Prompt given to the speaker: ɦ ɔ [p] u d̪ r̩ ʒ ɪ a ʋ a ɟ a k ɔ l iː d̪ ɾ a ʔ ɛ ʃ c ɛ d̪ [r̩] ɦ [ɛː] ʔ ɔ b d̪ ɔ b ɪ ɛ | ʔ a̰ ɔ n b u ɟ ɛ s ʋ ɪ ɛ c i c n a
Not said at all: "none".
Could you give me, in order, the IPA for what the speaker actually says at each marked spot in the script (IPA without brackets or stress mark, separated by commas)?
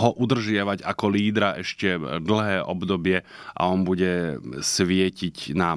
ʔ, l̩, ɛː